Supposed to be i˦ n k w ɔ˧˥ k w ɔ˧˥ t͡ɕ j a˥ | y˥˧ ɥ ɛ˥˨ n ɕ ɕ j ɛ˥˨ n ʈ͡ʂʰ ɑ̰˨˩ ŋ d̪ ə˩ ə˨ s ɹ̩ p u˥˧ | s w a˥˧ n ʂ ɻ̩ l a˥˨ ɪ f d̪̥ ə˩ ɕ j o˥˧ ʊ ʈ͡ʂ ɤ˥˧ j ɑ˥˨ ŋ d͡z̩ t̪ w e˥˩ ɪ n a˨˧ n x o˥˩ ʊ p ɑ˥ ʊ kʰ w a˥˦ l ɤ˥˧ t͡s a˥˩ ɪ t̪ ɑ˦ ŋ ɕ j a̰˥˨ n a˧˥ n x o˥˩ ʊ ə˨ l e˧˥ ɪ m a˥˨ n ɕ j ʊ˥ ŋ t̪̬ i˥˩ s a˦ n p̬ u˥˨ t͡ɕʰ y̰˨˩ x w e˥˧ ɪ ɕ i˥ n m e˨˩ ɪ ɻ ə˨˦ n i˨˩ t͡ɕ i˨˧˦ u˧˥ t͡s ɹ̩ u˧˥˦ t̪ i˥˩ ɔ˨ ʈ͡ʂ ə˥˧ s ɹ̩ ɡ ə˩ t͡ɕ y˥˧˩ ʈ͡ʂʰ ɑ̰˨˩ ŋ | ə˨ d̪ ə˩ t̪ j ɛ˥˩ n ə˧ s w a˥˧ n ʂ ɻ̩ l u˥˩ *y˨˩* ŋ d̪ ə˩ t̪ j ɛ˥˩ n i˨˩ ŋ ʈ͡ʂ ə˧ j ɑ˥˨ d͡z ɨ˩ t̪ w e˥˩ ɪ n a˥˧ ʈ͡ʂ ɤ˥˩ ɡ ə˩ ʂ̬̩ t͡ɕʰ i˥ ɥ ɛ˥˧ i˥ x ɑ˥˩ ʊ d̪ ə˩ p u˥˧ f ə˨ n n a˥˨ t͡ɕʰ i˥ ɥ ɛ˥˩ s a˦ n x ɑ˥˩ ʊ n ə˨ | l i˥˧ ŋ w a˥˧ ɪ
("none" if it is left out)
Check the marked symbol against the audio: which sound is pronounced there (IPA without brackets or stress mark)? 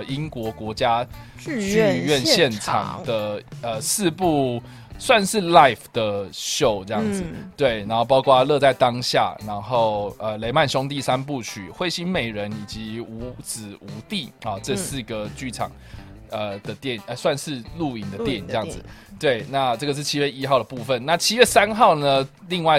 i˨˩